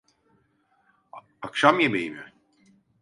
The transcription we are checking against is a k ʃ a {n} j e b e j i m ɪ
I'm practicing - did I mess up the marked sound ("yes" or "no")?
yes